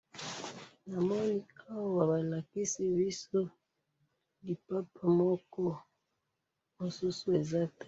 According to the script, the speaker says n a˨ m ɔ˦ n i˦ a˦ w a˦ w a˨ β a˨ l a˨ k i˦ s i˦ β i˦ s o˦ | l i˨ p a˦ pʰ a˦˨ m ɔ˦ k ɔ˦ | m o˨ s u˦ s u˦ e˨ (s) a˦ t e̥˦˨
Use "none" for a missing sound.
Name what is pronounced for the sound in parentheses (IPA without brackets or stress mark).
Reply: z